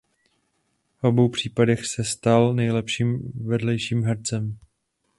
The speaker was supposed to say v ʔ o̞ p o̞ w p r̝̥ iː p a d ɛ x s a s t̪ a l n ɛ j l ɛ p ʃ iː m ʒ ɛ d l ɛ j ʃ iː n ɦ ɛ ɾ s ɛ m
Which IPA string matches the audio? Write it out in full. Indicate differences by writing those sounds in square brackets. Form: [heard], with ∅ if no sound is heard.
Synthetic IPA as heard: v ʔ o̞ [b] o̞ w p r̝̥ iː p a d ɛ x s [ɛ] s t̪ a l n ɛ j l ɛ p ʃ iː m [v] ɛ d l ɛ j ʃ iː [m] ɦ ɛ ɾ [t͡s] ɛ m